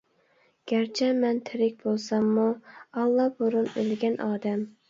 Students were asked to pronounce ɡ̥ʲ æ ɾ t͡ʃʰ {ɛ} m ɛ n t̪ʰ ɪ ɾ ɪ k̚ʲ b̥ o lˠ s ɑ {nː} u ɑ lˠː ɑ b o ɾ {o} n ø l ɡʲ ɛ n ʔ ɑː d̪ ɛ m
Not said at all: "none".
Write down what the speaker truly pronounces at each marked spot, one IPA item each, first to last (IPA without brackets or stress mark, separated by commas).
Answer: ɛ, mː, u